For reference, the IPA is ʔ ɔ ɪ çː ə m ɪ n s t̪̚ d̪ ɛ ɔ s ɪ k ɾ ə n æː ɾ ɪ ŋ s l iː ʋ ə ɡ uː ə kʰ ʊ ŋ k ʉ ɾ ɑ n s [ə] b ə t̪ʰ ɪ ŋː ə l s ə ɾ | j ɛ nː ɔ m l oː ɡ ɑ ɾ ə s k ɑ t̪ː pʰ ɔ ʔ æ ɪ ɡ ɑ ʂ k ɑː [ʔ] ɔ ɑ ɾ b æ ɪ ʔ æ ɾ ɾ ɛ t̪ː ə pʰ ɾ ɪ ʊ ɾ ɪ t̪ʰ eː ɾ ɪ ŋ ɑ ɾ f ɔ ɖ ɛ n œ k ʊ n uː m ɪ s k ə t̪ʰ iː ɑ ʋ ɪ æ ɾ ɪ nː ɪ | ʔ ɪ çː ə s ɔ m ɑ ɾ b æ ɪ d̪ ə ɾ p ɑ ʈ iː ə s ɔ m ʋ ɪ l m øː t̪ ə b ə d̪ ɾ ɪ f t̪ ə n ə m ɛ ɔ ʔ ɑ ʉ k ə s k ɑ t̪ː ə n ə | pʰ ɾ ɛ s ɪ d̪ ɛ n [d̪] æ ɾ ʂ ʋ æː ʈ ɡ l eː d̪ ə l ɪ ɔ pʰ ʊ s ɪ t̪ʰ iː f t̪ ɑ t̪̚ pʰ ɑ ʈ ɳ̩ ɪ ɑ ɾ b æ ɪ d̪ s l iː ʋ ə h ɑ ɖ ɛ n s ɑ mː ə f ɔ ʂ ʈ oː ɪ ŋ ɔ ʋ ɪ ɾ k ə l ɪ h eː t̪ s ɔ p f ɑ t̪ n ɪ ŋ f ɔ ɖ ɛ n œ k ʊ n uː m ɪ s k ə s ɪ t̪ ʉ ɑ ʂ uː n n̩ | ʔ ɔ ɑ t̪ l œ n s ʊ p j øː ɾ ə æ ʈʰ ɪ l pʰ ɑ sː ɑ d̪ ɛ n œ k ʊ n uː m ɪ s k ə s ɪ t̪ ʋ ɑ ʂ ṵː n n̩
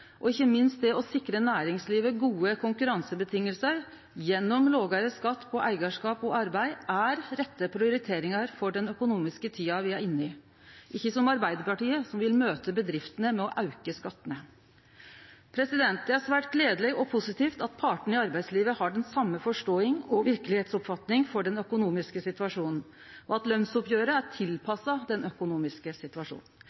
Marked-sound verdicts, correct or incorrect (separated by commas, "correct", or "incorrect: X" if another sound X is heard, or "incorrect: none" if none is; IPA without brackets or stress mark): correct, incorrect: p, incorrect: t̪